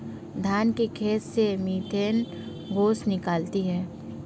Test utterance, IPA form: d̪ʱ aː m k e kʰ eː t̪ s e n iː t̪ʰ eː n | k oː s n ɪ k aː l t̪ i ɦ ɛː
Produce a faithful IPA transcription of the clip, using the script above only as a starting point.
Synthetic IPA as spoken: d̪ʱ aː n k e kʰ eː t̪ s e m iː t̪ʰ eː n | ɡ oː s n ɪ k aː l t̪ i ɦ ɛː